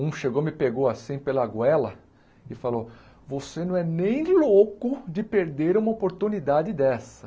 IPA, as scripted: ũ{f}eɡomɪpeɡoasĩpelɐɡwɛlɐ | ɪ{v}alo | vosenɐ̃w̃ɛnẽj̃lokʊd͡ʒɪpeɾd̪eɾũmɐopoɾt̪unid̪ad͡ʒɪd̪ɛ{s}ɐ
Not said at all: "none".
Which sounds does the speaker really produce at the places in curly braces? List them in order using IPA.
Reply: ʃ, f, s

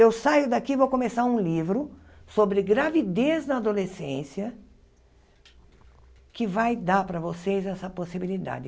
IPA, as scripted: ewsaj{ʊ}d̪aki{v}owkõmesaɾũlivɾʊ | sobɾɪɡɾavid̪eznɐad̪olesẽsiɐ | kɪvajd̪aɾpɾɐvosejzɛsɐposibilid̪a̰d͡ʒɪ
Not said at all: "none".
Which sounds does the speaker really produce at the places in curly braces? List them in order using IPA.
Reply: ʊ, v

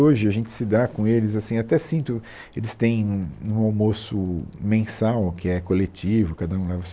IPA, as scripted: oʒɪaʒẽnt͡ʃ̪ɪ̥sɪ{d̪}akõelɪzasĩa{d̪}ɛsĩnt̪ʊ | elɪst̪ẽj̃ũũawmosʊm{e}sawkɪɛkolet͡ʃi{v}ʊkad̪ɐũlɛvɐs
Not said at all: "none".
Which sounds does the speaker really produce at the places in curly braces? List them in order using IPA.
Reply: d̪, t̪, ẽ, v

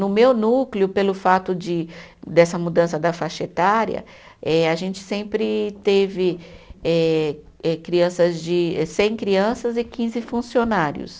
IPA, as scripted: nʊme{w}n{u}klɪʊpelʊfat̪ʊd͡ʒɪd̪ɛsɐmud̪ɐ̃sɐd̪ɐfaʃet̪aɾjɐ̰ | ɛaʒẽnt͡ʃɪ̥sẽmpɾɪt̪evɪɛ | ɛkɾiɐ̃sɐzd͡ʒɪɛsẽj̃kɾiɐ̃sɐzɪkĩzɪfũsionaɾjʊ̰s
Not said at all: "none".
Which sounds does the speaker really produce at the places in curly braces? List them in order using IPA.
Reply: w, u

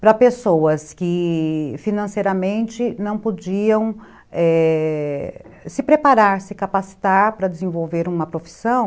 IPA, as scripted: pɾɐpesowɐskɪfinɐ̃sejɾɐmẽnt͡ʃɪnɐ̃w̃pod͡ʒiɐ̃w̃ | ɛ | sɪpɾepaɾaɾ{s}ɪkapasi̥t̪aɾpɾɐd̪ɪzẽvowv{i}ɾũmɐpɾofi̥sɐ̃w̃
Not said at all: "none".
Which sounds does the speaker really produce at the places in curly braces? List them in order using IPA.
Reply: s, e

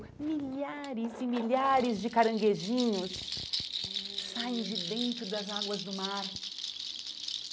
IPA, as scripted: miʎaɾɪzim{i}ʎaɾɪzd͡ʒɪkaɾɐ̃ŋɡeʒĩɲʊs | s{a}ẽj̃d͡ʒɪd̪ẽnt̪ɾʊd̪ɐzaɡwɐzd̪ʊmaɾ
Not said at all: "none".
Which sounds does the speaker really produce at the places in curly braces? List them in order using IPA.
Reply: i, a

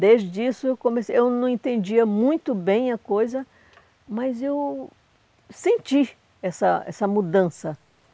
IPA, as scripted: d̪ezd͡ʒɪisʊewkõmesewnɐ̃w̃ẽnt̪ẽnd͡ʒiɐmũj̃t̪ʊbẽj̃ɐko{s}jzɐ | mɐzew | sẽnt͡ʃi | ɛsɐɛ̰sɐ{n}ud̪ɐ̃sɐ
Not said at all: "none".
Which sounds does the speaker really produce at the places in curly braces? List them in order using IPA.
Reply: none, m

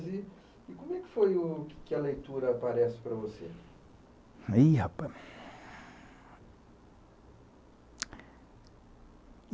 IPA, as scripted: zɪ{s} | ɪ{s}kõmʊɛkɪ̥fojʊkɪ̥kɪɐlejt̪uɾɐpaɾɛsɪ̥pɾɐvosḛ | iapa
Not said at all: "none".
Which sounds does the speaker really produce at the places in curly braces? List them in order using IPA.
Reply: none, none

